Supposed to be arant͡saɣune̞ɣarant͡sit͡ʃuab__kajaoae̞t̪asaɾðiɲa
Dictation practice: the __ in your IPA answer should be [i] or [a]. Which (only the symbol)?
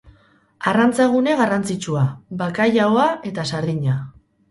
a